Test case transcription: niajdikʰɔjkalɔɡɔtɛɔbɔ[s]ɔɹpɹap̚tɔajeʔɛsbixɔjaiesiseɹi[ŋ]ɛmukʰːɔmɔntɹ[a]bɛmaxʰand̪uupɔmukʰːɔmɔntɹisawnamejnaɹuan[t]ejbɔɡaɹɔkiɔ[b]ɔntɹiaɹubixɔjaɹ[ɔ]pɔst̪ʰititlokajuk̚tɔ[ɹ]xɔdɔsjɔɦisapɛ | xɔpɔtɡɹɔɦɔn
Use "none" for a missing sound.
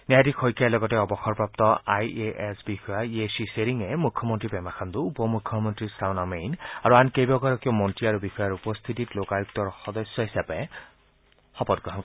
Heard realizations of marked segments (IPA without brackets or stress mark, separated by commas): x, ŋ, i, k, m, u, ɹ